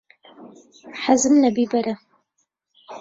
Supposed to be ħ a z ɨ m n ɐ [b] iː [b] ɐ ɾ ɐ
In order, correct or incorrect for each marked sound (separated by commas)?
correct, correct